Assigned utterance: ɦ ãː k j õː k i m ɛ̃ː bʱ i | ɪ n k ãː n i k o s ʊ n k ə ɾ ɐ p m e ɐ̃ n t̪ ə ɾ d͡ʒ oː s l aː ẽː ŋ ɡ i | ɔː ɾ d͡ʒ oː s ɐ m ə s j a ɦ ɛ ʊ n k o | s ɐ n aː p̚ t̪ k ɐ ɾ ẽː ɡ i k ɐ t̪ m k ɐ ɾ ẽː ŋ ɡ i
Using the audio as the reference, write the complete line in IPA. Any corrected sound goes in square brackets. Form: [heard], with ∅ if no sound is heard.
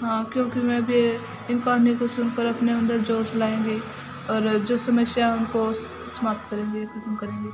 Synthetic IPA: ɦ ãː k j õː k i m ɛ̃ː bʱ i | ɪ n k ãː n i k o s ʊ n k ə ɾ ɐ p [n] e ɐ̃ n [d̪] ə ɾ d͡ʒ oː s l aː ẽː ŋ ɡ i | ɔː ɾ d͡ʒ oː s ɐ m ə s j a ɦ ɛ ʊ n k o | s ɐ [m] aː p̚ t̪ k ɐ ɾ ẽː ɡ i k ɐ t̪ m k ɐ ɾ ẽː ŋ ɡ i